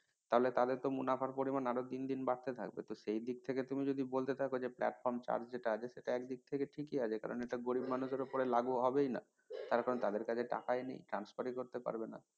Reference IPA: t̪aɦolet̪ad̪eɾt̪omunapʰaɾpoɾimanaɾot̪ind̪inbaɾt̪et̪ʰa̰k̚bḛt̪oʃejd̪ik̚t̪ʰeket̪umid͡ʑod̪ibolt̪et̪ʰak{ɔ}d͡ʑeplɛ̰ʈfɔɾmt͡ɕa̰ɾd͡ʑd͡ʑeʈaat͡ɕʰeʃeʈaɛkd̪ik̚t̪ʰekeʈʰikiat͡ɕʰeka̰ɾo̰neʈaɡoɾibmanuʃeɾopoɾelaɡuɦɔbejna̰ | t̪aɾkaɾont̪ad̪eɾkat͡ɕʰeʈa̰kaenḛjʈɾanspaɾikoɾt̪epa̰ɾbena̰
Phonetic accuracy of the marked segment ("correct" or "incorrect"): incorrect